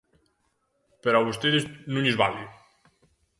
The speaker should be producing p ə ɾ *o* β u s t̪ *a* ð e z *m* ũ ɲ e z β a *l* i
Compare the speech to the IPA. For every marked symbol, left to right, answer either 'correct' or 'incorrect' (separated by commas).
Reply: incorrect, incorrect, incorrect, correct